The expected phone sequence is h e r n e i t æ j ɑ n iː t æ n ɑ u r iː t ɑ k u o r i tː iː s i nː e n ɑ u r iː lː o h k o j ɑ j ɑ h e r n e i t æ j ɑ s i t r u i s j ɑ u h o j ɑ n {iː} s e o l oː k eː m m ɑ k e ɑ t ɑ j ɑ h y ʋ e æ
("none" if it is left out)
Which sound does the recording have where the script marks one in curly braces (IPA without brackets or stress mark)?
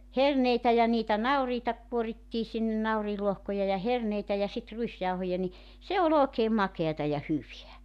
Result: i